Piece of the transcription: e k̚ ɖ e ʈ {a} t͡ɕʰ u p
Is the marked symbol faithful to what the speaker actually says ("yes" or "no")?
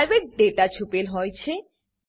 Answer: yes